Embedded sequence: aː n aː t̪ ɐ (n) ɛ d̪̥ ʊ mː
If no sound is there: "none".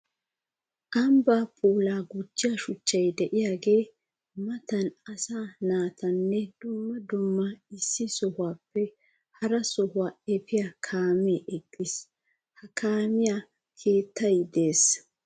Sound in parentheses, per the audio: nː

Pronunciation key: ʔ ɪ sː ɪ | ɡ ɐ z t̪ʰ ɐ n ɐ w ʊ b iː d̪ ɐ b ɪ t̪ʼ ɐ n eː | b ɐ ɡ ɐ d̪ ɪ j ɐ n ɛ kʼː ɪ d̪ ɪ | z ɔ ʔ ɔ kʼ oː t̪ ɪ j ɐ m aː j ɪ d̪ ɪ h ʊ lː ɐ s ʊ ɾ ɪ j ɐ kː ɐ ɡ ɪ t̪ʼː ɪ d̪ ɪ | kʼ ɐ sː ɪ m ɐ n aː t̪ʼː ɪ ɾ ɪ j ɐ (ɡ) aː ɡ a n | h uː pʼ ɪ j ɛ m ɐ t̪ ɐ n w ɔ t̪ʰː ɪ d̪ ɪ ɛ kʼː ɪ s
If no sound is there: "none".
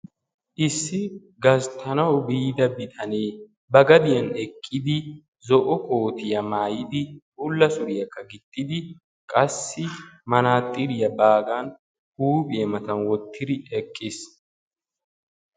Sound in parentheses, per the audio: b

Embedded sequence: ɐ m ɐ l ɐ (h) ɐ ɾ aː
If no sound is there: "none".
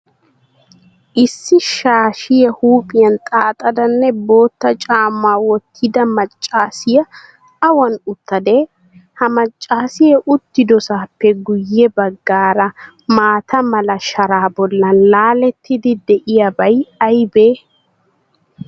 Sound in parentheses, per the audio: ʃ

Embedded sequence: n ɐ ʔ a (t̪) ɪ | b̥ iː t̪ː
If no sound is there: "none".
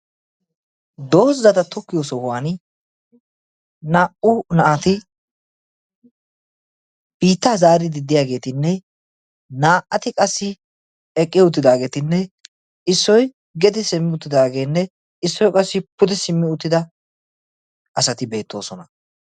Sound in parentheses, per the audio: t̪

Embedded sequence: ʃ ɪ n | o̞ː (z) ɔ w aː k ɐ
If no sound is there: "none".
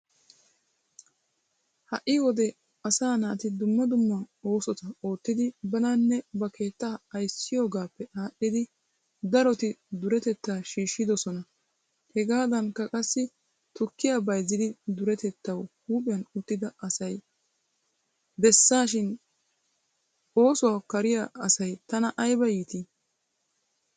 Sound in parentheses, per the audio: s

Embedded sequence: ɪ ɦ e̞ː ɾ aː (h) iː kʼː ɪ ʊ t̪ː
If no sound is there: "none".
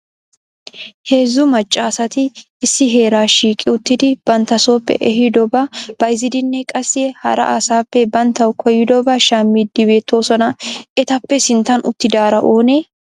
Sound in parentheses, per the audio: ʃ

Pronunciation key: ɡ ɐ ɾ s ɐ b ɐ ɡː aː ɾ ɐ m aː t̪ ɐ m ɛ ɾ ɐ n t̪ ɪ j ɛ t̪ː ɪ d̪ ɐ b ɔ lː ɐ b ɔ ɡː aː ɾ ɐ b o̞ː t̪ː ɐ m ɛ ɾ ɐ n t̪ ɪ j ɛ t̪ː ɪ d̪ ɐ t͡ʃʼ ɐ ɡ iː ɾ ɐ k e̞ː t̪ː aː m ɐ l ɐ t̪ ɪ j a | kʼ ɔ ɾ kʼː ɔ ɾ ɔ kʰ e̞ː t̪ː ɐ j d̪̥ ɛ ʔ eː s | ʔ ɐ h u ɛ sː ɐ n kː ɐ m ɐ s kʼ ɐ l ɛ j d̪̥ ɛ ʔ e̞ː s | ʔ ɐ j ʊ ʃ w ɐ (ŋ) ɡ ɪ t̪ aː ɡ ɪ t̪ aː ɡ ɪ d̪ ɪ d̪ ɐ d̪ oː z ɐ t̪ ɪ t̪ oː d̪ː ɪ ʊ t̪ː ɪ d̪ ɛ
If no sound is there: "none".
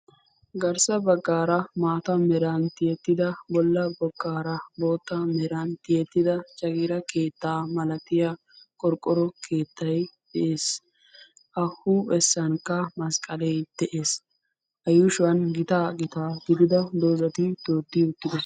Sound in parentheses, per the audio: n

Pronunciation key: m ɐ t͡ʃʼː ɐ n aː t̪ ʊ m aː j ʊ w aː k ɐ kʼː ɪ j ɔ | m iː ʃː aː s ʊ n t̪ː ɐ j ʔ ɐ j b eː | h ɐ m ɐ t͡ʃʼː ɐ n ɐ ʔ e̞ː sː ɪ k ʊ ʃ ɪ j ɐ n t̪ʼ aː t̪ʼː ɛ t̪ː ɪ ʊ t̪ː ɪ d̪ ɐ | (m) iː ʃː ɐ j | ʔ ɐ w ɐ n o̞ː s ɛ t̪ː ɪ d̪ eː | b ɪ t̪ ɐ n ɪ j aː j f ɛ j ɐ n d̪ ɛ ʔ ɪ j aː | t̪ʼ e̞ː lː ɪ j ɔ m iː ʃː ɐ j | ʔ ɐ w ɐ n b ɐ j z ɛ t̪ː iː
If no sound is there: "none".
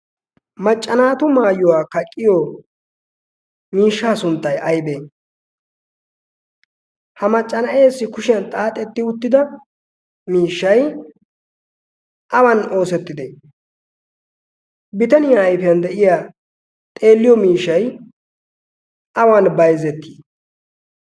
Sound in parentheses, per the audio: m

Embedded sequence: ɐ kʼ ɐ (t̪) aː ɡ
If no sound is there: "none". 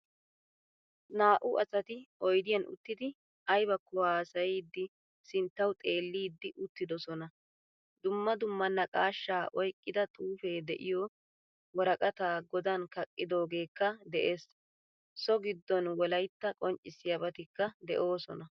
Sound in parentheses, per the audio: t̪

